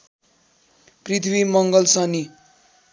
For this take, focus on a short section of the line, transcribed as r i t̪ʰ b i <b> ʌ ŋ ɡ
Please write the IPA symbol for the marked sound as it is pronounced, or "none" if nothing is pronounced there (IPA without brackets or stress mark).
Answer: m